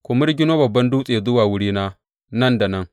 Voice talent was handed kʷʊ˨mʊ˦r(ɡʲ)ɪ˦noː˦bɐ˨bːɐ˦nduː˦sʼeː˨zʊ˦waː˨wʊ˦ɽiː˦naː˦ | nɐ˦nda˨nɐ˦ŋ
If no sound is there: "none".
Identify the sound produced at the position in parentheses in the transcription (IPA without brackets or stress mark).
ɡʲ